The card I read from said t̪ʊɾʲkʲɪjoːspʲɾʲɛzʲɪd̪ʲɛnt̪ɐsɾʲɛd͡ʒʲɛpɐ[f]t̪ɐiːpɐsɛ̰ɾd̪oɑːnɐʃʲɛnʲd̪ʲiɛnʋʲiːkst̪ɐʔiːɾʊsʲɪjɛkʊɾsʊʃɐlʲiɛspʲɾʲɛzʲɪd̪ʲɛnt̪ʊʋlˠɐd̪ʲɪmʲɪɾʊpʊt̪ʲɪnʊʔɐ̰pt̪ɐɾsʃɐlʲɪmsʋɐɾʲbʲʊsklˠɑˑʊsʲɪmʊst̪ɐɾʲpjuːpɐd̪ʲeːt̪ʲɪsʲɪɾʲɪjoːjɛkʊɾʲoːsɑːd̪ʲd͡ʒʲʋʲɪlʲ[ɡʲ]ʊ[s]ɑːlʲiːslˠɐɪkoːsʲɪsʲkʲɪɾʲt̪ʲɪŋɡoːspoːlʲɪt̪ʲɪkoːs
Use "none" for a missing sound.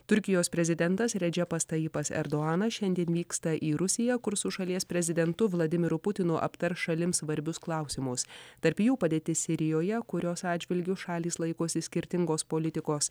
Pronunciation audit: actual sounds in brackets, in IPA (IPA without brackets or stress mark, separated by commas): s, ɡʲ, ʃ